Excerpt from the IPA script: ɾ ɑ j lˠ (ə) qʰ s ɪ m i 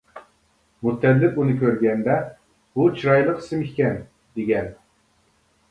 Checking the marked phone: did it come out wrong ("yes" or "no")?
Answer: no